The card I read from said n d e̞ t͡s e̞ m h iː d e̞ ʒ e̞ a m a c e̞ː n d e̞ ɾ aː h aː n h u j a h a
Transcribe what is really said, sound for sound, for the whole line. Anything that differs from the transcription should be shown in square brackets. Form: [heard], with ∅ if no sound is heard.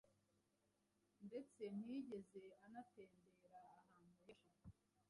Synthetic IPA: n d e̞ t͡s e̞ m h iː [ɟ] e̞ [z] e̞ a [n] a [t] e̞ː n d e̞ ɾ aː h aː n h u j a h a